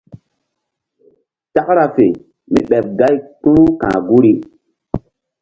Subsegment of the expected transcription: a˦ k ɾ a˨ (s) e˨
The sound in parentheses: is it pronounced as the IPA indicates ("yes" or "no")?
no